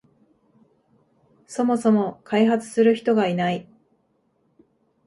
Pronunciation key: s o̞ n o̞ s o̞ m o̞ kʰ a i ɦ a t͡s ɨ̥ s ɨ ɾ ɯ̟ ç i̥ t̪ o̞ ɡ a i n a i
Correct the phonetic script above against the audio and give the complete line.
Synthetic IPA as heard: s o̞ m o̞ s o̞ m o̞ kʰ a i ɦ a t͡s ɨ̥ s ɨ ɾ ɯ̟ ç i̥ t̪ o̞ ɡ a i n a i